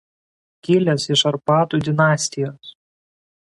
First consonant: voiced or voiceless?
voiceless